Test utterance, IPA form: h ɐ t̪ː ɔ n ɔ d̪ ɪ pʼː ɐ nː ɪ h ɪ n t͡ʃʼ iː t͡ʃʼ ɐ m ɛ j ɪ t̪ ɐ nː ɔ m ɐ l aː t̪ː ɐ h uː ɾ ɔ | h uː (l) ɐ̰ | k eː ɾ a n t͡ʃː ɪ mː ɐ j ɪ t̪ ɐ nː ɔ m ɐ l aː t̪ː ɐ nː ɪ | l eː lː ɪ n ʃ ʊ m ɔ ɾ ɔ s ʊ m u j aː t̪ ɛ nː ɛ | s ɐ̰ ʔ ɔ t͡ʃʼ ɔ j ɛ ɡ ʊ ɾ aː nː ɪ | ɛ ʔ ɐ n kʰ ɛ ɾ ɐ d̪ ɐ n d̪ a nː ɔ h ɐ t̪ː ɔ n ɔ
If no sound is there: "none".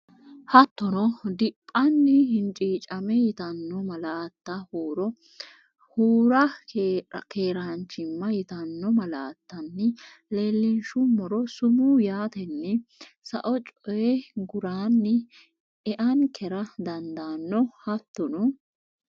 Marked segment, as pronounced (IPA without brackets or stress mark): ɾ